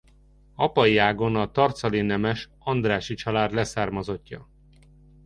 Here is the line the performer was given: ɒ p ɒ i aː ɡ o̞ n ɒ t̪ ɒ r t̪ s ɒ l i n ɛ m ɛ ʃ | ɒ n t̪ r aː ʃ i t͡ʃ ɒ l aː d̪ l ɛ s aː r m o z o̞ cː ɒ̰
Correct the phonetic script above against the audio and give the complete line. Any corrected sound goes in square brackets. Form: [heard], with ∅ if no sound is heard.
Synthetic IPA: ɒ p ɒ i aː ɡ o̞ n ɒ t̪ ɒ r t̪ s ɒ l i n ɛ m ɛ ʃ | ɒ n [d̪] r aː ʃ i t͡ʃ ɒ l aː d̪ l ɛ s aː r m [ɒ] z o̞ cː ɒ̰